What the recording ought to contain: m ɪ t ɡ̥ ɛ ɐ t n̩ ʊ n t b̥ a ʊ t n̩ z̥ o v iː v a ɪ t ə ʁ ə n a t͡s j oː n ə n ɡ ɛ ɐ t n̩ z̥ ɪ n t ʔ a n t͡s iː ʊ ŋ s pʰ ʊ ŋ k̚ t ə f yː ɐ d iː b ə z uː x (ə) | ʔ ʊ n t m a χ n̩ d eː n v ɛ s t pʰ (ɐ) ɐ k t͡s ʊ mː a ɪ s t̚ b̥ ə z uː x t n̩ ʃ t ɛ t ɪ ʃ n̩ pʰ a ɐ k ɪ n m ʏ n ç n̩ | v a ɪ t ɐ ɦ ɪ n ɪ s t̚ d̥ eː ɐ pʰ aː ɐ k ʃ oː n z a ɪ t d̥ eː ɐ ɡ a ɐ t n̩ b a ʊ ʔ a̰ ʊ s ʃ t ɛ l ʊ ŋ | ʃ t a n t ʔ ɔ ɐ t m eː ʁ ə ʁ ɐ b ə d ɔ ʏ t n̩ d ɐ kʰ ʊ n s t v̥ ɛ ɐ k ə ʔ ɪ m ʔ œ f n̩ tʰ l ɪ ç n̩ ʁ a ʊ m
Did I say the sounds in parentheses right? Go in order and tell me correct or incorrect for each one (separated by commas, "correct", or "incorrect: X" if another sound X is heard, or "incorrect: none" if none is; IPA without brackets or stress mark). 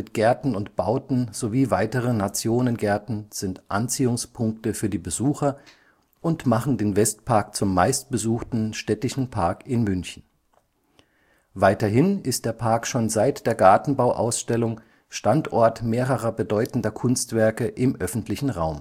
incorrect: ɐ, incorrect: a